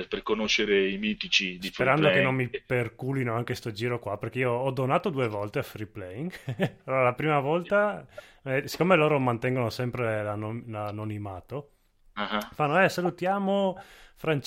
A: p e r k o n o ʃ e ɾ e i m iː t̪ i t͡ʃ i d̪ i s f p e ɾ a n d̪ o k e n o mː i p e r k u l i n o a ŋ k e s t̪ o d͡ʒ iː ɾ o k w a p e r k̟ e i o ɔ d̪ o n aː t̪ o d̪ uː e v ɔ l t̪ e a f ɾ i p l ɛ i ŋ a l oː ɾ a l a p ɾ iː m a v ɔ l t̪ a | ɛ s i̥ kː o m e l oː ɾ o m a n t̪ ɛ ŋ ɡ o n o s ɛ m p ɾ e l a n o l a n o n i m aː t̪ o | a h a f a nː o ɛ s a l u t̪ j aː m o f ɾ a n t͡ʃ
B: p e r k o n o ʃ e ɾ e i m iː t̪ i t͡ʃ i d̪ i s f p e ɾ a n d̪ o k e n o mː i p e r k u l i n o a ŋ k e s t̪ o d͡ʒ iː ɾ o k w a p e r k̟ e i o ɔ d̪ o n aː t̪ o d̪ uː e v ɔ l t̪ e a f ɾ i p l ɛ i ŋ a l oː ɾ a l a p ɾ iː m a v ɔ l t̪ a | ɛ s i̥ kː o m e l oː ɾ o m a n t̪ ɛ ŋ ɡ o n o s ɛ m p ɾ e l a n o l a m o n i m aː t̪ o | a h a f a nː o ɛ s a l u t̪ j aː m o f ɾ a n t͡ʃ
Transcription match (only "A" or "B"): A